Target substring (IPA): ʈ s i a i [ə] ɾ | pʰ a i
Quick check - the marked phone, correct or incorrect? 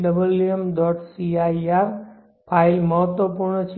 incorrect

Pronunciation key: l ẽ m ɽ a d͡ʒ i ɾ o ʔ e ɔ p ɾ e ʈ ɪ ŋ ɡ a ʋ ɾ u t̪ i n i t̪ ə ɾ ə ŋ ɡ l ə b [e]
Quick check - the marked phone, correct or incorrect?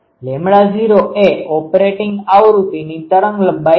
incorrect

